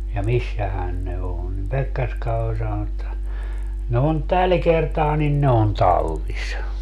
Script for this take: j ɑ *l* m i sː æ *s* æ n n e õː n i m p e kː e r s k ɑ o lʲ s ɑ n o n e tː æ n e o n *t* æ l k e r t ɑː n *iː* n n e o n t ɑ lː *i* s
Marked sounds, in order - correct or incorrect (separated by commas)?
incorrect, incorrect, correct, incorrect, correct